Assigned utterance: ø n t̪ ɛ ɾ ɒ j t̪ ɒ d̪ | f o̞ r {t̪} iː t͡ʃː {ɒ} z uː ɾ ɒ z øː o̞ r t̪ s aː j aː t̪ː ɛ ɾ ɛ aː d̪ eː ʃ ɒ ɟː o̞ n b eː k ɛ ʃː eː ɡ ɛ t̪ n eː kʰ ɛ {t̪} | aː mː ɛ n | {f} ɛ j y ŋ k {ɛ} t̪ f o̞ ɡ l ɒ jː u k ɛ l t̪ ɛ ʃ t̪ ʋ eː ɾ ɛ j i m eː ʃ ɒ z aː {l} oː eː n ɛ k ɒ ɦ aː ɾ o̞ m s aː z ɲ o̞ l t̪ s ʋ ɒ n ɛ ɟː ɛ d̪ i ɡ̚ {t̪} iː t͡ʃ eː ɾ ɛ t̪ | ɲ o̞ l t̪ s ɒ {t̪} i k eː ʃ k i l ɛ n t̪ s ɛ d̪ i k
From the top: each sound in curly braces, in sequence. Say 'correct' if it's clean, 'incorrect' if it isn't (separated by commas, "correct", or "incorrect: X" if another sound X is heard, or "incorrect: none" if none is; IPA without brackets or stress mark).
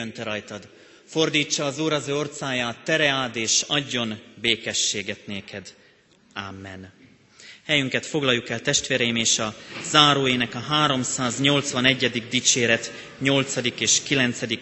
incorrect: d̪, incorrect: ɒː, incorrect: d̪, incorrect: h, correct, incorrect: ɾ, incorrect: d̪, incorrect: d̪